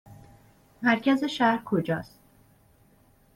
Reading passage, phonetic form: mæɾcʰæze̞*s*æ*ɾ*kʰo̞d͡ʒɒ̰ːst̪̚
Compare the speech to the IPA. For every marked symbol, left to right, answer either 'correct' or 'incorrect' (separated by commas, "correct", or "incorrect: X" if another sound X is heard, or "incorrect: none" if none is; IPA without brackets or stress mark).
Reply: incorrect: ʃ, correct